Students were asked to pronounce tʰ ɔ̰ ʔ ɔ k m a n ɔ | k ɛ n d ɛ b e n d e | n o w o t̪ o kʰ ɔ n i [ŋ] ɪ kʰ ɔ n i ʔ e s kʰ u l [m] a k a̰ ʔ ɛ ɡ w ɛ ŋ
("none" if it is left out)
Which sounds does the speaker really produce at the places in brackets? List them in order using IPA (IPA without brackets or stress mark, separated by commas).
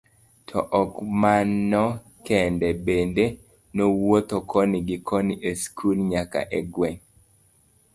ɡ, ɲ